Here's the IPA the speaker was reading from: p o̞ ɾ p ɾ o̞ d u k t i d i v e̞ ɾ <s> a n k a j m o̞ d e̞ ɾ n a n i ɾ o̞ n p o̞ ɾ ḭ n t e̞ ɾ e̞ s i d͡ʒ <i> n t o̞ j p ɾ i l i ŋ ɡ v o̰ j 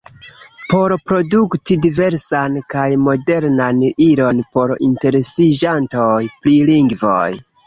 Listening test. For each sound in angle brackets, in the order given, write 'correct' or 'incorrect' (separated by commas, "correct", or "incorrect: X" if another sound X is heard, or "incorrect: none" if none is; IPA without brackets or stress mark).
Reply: correct, incorrect: a